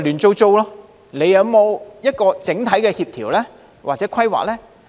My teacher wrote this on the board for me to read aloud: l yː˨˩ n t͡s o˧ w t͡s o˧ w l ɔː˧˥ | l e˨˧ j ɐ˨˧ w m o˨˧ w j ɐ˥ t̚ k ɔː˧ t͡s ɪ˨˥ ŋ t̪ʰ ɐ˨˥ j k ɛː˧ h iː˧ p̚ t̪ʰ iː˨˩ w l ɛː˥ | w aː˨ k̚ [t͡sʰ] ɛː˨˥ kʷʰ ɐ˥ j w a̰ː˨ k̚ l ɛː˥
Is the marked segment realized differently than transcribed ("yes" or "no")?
yes